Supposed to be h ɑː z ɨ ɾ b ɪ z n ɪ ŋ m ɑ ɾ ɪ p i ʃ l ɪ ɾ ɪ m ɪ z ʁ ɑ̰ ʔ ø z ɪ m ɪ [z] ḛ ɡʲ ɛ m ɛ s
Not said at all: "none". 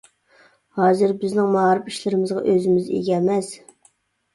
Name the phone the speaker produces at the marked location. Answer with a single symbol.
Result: z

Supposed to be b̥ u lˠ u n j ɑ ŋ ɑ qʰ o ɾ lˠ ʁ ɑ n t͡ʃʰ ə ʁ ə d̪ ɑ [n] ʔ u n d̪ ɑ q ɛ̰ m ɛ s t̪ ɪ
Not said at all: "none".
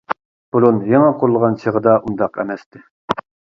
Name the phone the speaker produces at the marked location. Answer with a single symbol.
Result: none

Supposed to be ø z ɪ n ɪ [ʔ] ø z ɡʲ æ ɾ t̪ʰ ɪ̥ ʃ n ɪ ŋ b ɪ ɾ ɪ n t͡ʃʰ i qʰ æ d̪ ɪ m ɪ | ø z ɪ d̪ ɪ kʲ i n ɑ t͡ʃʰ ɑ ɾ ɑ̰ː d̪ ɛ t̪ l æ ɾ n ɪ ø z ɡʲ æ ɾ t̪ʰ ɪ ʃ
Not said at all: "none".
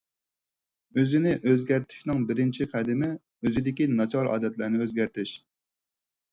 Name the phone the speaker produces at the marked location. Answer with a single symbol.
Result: ʔ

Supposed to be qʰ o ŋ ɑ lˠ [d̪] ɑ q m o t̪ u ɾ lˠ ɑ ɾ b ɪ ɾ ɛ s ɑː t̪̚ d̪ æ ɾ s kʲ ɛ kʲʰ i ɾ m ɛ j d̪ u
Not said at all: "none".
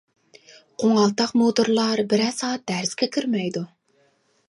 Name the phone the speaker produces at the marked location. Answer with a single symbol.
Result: t̪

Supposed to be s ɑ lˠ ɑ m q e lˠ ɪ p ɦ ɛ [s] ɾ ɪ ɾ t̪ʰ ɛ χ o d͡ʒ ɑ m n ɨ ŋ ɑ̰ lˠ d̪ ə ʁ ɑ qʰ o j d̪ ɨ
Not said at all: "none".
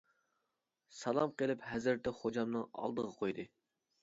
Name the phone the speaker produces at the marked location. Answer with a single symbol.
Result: z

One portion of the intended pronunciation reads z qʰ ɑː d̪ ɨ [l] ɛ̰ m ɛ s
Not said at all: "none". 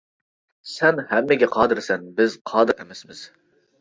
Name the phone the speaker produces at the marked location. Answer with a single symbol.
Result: ɾ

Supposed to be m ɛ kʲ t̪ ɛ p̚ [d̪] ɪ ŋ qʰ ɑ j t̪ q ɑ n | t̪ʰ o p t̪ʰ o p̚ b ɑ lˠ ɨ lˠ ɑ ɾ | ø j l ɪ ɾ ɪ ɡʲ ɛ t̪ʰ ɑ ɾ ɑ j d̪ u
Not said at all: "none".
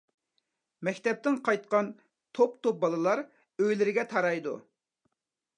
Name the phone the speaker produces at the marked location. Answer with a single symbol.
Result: t̪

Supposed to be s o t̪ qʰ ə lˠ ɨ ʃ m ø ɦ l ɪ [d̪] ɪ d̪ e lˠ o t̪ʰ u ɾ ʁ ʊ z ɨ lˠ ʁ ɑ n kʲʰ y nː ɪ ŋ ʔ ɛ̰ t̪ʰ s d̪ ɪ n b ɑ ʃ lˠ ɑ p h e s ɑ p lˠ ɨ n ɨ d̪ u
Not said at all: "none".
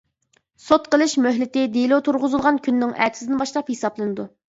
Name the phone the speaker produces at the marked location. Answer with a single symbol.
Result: t̪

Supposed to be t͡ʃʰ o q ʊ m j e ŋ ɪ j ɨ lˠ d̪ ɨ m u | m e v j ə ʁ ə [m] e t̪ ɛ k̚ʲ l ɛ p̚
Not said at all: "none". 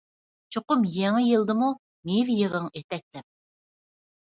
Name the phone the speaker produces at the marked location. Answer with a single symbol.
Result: ŋ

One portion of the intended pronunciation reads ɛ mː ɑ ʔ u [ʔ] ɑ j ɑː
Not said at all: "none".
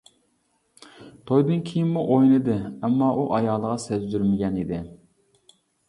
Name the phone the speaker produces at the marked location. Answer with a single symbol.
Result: ʔ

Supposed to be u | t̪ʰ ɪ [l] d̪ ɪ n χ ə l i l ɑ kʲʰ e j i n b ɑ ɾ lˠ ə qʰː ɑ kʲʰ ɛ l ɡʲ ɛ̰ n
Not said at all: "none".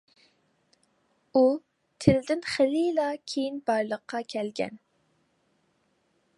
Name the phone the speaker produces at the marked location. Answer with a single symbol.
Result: l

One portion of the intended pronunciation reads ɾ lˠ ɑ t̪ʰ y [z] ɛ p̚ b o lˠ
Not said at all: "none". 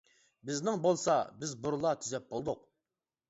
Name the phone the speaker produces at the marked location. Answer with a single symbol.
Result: z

